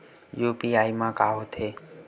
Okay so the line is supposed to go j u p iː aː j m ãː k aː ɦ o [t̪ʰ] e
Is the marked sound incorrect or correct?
correct